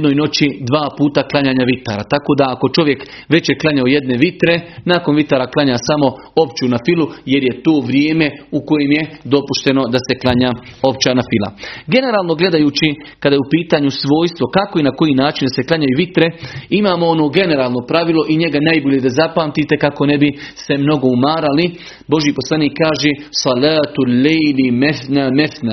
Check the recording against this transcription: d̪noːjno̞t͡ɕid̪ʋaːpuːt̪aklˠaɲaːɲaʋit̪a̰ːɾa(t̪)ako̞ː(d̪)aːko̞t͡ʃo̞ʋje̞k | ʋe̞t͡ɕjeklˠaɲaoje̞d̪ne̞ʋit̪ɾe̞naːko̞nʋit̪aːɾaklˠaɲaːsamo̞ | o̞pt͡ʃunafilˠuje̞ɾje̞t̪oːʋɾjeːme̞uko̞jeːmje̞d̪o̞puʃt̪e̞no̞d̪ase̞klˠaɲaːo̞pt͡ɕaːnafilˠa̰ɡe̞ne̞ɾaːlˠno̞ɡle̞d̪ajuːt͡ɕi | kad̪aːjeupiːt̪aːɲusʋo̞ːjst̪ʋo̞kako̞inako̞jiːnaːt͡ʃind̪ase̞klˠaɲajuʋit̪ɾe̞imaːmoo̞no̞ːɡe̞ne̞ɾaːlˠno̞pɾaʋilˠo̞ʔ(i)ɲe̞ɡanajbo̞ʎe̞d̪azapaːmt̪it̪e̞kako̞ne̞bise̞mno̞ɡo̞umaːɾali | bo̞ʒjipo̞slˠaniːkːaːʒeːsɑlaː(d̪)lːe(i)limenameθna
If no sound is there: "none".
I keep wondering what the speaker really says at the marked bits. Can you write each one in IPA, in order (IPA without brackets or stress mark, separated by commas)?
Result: t̪, d̪, i, t̪, j